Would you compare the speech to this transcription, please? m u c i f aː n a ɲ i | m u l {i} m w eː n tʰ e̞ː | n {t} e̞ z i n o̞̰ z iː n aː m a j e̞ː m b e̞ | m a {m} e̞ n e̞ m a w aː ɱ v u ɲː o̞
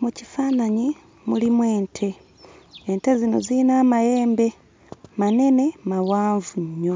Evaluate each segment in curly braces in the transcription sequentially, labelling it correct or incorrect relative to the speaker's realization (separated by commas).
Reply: correct, correct, incorrect